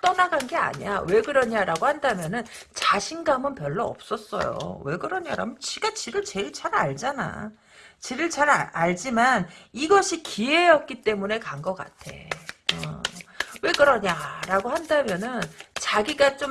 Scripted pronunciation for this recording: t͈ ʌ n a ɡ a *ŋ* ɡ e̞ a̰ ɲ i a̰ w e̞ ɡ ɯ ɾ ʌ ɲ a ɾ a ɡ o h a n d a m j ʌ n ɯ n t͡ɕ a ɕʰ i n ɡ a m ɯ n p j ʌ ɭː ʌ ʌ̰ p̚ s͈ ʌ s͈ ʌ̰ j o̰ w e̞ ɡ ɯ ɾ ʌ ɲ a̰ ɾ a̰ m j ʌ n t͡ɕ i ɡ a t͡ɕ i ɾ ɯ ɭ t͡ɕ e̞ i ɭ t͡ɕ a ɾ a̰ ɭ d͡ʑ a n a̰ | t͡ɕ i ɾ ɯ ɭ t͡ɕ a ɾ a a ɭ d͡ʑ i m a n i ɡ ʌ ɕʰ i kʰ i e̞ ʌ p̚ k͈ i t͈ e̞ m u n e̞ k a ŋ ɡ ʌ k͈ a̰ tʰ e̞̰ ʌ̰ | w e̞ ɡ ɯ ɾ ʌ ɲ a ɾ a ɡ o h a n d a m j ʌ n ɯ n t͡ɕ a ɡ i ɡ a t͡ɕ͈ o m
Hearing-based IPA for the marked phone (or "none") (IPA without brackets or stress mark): n